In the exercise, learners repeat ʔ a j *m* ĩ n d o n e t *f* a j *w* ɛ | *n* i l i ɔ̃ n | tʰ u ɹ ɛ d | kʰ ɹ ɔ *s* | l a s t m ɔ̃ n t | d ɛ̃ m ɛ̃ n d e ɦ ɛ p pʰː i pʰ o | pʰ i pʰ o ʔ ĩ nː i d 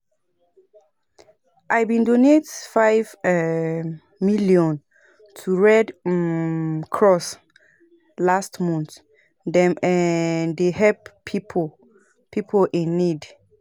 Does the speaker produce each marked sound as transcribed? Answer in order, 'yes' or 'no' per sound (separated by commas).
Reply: no, yes, no, no, yes